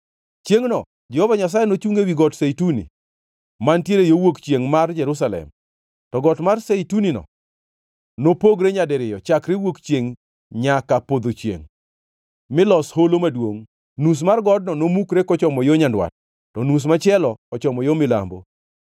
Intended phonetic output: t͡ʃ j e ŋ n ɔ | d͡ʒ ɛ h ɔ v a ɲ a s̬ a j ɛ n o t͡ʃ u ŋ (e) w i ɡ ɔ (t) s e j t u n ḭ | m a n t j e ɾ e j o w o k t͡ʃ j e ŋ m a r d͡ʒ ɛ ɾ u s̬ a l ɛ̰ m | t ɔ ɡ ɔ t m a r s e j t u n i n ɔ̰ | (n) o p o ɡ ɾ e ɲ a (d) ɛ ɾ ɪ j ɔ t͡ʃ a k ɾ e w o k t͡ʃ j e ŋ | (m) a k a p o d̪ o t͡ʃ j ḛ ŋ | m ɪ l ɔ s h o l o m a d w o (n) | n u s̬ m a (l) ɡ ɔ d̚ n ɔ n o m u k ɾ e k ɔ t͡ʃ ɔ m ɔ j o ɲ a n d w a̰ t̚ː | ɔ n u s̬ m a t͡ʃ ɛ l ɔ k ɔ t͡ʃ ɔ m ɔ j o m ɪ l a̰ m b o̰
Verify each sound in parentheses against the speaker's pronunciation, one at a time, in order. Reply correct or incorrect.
correct, correct, correct, correct, incorrect, incorrect, incorrect

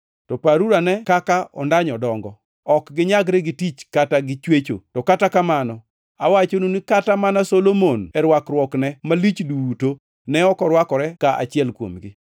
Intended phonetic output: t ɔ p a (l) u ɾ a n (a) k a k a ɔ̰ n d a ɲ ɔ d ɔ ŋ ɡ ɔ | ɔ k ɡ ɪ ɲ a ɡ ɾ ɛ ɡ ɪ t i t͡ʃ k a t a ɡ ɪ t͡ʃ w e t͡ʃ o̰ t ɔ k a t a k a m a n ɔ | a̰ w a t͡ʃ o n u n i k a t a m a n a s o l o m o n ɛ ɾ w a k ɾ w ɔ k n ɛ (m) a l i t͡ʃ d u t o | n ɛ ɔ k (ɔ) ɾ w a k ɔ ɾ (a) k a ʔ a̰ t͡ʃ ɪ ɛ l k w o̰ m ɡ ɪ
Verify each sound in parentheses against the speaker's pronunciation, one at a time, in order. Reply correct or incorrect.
incorrect, incorrect, correct, correct, incorrect

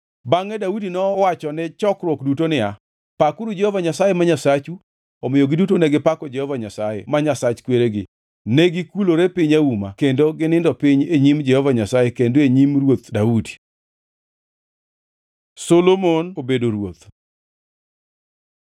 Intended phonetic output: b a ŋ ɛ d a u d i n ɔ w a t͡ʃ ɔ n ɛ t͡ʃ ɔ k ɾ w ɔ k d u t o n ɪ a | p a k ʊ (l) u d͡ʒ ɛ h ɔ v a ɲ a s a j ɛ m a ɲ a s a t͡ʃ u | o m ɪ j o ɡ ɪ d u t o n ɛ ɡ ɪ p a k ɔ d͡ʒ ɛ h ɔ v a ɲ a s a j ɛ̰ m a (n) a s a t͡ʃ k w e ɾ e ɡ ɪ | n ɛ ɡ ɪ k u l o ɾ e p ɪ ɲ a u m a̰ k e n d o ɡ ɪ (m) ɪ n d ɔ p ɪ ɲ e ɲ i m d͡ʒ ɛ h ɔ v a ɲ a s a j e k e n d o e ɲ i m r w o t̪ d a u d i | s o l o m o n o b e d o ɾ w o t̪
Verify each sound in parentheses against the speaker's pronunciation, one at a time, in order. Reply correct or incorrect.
incorrect, incorrect, incorrect

